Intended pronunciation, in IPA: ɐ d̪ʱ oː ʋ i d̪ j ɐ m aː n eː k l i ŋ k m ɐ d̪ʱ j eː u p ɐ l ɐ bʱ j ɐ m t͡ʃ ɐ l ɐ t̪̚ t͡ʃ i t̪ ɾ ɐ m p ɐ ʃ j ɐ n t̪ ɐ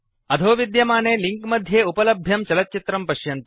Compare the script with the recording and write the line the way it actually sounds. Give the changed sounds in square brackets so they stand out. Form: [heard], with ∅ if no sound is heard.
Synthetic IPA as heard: ɐ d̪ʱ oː ʋ i d̪ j ɐ m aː n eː [∅] l i ŋ k m ɐ d̪ʱ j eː u p ɐ l ɐ bʱ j ɐ m t͡ʃ ɐ l ɐ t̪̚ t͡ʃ i t̪ ɾ ɐ m p ɐ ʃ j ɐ n t̪ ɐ